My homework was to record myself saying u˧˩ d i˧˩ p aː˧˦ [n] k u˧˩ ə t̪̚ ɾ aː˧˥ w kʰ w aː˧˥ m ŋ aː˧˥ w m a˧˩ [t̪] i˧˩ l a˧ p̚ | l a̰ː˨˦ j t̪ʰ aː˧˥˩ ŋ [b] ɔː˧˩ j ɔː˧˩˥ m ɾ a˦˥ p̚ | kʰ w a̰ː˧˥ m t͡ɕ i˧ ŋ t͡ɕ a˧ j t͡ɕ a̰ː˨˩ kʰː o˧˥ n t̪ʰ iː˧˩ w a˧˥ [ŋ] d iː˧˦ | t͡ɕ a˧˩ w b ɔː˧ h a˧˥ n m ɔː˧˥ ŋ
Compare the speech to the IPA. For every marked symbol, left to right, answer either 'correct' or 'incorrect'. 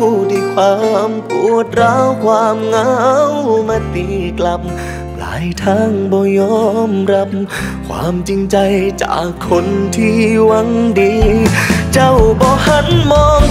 incorrect, correct, correct, correct

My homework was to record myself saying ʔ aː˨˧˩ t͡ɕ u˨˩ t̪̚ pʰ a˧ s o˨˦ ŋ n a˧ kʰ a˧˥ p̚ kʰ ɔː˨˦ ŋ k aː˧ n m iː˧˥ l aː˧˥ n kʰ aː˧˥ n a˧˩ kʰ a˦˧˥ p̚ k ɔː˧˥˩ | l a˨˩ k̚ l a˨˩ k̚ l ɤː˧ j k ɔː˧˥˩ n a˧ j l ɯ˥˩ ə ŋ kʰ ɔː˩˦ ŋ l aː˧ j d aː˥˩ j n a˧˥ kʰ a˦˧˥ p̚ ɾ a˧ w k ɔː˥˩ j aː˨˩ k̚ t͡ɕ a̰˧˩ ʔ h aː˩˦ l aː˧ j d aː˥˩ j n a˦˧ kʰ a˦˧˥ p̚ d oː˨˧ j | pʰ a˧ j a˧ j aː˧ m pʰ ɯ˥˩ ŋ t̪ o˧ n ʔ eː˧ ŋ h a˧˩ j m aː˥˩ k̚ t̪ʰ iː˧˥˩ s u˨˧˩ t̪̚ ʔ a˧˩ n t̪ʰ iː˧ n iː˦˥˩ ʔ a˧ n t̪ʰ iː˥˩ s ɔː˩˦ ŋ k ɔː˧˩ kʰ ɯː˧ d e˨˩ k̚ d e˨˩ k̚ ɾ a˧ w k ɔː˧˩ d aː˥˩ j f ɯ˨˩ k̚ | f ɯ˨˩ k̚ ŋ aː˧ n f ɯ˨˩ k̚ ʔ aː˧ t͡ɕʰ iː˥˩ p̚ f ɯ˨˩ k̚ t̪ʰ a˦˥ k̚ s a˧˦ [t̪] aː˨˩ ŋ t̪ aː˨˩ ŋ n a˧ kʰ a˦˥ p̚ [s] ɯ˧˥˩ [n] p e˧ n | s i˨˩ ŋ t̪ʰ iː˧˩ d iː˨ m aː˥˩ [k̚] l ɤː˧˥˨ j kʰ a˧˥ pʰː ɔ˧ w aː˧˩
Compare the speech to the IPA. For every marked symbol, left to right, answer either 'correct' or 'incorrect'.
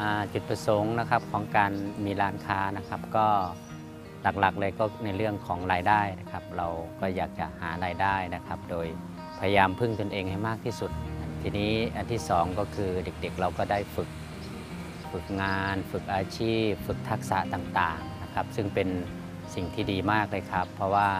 correct, correct, incorrect, correct

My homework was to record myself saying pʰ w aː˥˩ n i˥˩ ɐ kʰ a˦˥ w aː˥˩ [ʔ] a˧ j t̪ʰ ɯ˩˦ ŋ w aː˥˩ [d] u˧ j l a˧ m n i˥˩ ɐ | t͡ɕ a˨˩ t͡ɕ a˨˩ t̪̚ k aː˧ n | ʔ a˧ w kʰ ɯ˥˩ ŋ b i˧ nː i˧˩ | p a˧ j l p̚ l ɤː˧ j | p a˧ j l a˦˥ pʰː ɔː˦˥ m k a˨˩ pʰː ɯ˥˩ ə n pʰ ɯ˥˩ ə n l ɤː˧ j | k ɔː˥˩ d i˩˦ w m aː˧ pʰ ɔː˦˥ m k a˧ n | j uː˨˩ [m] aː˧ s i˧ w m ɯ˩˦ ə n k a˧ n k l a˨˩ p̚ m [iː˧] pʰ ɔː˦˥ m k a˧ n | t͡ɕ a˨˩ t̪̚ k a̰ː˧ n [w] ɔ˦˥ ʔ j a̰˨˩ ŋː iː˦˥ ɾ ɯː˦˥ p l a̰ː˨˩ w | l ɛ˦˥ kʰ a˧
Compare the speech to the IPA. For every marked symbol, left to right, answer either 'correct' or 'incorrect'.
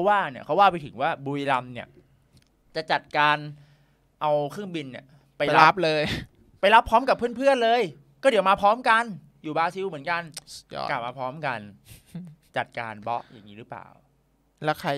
incorrect, incorrect, incorrect, incorrect, incorrect

